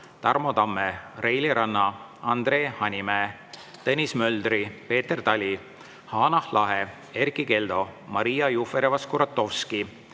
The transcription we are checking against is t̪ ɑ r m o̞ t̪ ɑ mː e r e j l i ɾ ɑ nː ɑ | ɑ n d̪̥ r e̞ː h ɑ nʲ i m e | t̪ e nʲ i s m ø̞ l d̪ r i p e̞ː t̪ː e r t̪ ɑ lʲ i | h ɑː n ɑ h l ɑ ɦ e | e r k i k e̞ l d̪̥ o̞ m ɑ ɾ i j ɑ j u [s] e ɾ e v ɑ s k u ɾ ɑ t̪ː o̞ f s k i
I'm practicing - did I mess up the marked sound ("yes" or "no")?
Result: yes